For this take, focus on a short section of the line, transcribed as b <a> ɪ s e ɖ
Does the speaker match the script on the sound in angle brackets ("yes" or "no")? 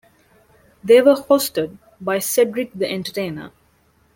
yes